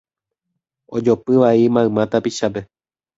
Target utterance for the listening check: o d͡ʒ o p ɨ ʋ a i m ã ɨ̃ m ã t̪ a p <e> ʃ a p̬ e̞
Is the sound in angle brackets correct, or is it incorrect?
incorrect